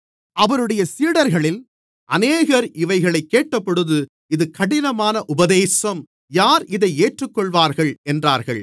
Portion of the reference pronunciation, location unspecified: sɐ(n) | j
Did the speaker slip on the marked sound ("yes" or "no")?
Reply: yes